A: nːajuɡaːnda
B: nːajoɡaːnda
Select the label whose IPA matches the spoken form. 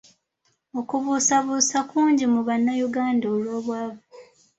A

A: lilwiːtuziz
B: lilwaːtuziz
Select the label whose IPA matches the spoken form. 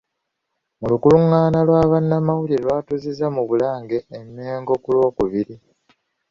B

